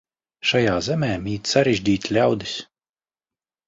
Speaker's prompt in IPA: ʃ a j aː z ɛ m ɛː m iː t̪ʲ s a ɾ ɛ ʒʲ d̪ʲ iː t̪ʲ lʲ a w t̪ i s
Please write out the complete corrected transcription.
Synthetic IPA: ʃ a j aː z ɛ m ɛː m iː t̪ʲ s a ɾ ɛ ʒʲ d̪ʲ iː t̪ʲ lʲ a w d̪ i s